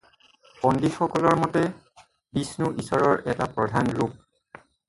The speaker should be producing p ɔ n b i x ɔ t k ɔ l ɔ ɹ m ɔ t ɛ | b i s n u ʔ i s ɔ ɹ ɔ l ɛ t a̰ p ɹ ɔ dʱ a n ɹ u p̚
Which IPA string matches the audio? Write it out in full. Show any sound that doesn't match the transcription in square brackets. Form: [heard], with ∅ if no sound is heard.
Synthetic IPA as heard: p ɔ n [d] i x ɔ [∅] k ɔ l ɔ ɹ m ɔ t ɛ | b i s n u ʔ i s ɔ ɹ ɔ [ɹ] ɛ t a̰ p ɹ ɔ dʱ a n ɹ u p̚